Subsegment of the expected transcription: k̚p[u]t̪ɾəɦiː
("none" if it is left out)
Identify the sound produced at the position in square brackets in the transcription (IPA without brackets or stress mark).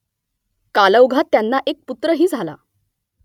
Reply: u